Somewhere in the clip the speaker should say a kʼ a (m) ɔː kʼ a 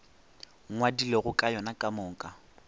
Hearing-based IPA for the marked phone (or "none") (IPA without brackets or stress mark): m